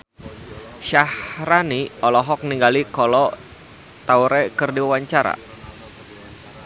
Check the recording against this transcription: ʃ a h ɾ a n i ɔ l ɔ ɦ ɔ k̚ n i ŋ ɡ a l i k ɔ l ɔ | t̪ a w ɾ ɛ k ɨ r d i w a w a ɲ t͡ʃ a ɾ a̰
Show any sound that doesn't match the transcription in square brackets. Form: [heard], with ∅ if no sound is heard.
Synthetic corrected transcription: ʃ a h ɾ a n i ɔ l ɔ ɦ ɔ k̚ n i ŋ ɡ a l i k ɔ l ɔ | t̪ a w ɾ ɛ k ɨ r d i w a w a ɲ t͡ʃ a ɾ a̰